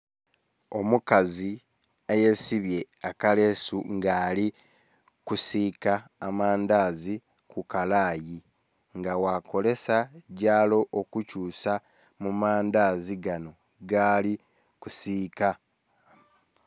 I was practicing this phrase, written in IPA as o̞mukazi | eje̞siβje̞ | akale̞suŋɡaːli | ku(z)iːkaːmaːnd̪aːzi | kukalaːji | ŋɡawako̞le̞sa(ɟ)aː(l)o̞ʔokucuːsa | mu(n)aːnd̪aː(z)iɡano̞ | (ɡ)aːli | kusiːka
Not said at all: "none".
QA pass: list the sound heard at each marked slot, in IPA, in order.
s, ɟ, l, m, z, ɡ

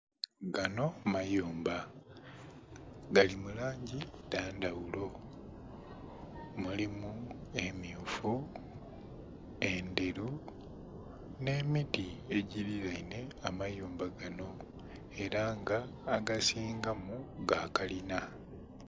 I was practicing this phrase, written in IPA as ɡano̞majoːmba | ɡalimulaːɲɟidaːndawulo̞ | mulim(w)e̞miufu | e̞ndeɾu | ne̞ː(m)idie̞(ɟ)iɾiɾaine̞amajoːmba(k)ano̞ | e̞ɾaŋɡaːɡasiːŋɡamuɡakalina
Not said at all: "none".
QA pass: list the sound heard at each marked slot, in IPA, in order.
u, m, ɟ, ɡ

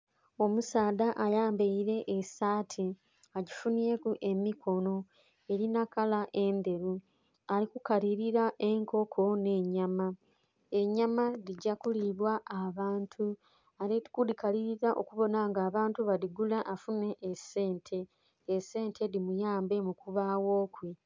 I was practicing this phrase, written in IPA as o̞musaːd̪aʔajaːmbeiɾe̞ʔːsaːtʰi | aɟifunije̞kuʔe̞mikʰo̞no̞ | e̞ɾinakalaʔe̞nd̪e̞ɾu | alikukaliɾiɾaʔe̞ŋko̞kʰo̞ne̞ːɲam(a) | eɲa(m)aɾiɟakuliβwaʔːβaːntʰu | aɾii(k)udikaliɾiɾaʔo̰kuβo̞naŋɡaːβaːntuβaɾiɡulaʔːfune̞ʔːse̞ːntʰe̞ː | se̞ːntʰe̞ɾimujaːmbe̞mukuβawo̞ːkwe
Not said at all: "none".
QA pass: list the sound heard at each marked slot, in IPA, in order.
a, m, k

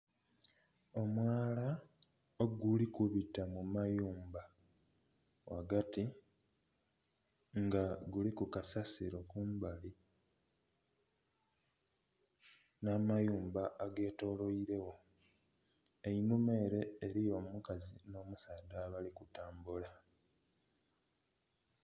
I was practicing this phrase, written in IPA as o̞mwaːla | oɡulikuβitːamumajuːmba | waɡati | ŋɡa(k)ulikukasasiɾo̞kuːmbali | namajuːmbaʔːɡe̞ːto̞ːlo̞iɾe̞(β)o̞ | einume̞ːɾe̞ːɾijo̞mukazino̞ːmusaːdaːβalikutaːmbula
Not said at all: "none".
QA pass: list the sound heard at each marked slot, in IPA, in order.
ɡ, w

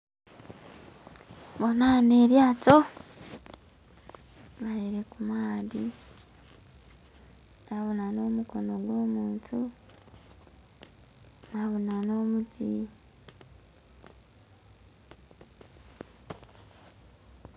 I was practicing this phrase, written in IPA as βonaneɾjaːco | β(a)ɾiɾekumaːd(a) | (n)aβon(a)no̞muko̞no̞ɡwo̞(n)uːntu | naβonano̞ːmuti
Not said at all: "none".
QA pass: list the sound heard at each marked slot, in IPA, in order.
a, i, n, a, m

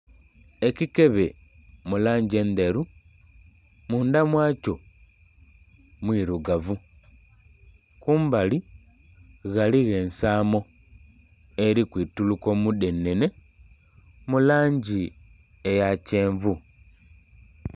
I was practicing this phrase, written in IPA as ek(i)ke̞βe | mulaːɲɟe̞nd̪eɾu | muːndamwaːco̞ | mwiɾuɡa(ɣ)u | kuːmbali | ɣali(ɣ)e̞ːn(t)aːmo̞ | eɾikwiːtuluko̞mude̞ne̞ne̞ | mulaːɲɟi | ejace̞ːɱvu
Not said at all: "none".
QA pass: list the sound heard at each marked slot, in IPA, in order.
i, v, ɣ, s

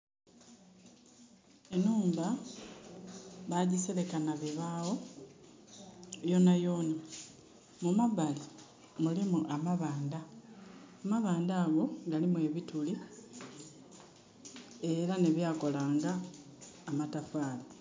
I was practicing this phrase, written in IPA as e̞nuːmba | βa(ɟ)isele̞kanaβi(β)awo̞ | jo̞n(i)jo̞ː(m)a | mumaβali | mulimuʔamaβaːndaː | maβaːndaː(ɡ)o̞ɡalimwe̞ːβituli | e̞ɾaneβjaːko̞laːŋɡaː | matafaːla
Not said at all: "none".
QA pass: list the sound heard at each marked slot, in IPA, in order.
ɟ, β, a, n, ɡ

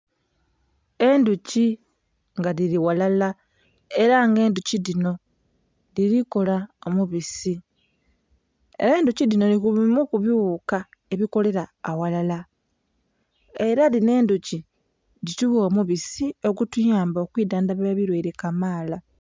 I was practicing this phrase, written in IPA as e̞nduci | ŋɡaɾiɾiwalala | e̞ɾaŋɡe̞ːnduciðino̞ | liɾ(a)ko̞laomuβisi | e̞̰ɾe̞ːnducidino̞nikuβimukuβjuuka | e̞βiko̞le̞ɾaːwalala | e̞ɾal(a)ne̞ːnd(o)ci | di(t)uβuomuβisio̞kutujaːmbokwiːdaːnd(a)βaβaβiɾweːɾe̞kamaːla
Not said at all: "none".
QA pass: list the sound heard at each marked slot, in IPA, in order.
i, i, u, t, a

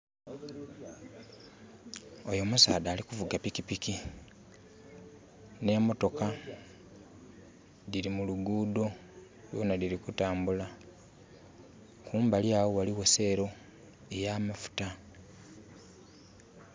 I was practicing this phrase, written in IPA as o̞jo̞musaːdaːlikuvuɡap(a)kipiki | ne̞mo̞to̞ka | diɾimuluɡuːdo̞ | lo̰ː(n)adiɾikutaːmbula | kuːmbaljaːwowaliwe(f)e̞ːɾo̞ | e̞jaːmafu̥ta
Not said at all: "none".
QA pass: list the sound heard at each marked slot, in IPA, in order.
i, n, s

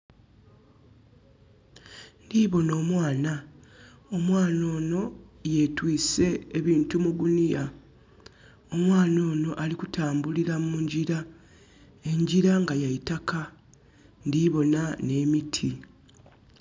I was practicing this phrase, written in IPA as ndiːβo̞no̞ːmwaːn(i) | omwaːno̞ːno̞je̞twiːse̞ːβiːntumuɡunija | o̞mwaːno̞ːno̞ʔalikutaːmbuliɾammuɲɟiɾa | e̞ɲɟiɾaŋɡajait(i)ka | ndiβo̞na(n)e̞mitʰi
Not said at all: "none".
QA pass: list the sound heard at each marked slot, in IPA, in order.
a, a, n

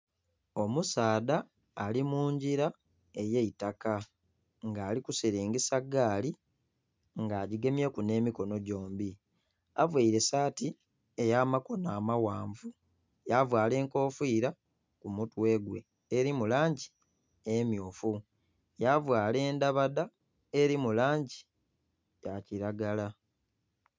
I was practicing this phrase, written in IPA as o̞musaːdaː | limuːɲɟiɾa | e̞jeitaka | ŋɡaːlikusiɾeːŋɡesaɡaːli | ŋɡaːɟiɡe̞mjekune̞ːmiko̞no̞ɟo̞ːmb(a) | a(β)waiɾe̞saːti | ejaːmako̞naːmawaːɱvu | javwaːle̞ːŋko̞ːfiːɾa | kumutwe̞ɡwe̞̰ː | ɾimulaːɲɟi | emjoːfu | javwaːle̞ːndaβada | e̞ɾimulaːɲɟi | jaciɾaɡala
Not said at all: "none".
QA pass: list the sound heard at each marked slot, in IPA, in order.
i, v

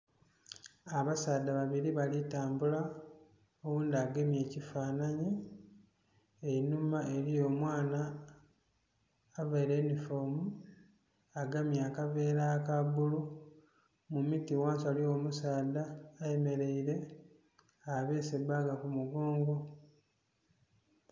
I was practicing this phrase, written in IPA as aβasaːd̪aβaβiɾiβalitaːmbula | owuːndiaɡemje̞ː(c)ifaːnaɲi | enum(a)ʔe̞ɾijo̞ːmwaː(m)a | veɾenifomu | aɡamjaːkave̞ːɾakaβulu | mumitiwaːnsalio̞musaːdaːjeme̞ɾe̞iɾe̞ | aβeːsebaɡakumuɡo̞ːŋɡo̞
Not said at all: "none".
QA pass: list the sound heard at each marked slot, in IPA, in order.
c, a, n

